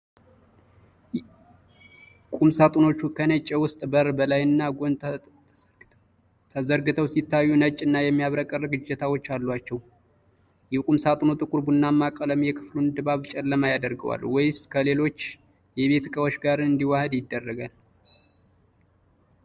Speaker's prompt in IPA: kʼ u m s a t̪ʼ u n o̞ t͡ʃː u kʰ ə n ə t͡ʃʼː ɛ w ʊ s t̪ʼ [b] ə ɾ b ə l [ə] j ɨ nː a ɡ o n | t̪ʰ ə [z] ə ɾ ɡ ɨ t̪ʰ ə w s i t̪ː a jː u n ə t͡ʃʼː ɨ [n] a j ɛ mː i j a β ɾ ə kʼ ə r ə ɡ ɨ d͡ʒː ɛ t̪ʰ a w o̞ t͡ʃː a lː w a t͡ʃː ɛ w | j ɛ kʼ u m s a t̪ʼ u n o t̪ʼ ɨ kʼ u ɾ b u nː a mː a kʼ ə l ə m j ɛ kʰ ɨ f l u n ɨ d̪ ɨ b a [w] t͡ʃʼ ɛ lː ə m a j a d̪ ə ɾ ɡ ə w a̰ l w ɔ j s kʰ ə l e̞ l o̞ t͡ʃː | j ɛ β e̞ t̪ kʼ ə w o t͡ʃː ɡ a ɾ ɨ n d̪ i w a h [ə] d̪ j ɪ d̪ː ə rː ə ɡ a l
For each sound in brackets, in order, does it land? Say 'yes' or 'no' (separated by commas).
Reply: yes, no, yes, no, no, yes